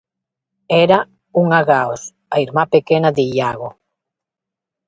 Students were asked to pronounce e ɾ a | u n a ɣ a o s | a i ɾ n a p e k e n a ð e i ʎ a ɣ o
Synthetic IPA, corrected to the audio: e ɾ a | u ŋ a ɣ a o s | a i ɾ m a p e k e n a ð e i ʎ a ɣ o